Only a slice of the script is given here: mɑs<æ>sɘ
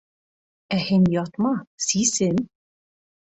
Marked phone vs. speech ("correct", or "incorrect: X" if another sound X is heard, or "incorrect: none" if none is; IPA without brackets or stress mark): incorrect: i